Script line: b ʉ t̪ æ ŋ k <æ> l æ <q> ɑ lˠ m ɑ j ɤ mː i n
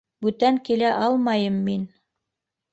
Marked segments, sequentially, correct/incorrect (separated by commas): incorrect, incorrect